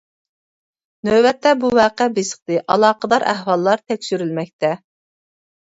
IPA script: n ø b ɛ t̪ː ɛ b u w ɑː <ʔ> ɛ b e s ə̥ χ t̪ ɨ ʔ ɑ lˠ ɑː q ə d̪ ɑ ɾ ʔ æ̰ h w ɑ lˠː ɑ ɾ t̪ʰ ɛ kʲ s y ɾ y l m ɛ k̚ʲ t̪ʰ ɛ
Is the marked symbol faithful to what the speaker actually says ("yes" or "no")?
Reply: no